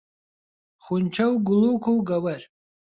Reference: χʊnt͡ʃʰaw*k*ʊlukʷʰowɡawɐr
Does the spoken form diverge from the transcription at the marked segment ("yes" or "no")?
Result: yes